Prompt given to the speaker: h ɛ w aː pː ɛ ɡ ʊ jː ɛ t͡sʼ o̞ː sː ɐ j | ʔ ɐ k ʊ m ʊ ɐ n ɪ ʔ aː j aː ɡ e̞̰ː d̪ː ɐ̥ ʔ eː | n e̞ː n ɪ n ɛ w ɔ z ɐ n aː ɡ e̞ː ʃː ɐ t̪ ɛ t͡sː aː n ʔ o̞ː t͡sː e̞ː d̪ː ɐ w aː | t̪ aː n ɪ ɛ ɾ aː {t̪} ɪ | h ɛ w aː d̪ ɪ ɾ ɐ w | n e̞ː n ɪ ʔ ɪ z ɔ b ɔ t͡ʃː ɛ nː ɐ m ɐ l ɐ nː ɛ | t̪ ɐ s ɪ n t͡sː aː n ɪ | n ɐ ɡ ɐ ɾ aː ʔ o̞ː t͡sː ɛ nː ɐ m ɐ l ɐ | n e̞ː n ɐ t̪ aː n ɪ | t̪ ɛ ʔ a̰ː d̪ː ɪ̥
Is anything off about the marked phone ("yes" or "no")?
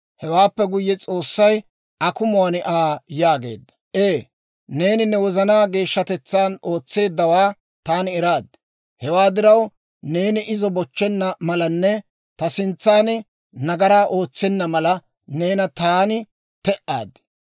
yes